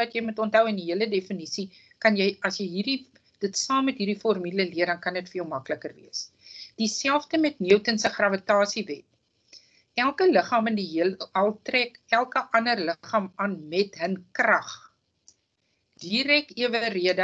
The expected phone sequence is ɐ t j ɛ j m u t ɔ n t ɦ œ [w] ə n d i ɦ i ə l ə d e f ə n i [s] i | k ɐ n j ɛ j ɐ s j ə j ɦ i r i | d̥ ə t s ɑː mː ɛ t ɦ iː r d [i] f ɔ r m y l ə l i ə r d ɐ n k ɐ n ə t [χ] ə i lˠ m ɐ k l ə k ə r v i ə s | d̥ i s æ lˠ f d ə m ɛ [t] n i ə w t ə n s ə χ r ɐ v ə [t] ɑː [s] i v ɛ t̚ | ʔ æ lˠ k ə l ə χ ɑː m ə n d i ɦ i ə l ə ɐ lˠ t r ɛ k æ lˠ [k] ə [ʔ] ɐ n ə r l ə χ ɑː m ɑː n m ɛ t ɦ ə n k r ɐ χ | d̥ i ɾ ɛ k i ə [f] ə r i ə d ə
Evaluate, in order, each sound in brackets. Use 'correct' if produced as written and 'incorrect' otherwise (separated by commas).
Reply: correct, correct, correct, incorrect, correct, correct, correct, correct, correct, incorrect